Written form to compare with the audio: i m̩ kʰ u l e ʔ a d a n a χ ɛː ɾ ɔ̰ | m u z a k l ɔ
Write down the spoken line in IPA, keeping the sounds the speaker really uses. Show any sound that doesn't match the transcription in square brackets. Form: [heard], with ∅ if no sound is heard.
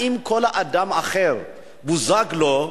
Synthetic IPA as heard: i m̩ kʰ [ɔ] l [a] ʔ a d a [m] a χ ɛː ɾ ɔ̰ | [b] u z a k l ɔ